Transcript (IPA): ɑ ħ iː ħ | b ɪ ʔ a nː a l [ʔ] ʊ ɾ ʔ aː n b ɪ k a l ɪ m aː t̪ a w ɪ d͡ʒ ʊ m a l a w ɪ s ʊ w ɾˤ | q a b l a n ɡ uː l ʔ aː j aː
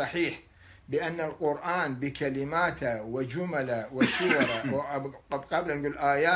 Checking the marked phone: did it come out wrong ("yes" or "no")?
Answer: yes